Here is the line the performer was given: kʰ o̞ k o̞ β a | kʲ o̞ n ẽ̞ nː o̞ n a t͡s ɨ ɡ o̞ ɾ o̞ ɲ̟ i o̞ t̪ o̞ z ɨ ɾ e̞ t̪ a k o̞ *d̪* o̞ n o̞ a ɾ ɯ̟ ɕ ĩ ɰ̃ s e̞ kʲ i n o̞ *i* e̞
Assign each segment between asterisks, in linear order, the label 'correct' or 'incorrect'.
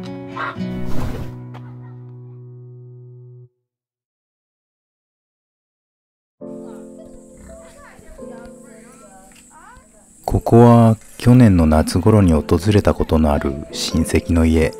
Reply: incorrect, correct

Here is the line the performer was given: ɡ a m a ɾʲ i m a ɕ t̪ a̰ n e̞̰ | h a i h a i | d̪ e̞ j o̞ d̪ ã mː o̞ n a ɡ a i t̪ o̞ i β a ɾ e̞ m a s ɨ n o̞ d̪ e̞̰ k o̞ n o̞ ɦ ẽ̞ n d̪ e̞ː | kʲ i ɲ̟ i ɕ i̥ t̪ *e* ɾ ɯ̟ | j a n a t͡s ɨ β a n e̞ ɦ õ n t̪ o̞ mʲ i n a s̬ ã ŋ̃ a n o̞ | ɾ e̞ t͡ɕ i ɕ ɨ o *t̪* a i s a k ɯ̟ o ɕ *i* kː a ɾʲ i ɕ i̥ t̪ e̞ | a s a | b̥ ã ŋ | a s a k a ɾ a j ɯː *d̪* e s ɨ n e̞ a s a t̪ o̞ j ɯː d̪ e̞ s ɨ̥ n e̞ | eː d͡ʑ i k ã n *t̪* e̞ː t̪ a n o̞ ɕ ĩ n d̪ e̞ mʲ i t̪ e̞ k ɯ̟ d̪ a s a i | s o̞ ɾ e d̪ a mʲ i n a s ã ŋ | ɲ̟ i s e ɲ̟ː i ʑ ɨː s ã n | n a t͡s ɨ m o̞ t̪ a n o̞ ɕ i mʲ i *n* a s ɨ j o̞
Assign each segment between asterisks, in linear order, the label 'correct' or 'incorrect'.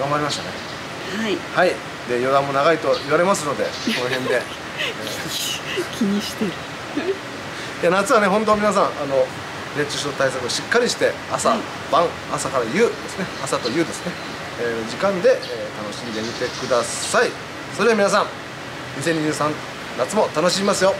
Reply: correct, correct, correct, correct, incorrect, incorrect

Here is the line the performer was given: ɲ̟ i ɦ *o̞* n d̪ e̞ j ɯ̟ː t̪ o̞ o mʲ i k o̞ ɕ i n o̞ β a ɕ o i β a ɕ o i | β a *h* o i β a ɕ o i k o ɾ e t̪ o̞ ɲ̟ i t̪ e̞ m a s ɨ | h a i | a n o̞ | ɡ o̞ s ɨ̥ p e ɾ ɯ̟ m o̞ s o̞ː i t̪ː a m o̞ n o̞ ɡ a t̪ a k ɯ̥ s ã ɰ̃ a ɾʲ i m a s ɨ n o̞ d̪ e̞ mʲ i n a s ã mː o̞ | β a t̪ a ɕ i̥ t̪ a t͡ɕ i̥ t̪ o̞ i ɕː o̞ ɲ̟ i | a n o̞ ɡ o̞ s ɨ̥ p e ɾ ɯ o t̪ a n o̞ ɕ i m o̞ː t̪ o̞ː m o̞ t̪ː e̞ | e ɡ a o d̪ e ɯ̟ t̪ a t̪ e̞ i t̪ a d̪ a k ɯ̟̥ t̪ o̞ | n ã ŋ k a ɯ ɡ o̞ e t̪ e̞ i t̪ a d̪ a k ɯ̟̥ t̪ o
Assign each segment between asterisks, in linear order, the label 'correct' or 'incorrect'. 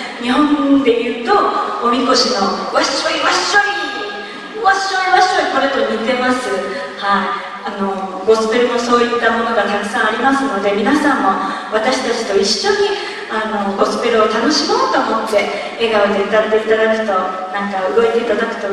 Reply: incorrect, incorrect

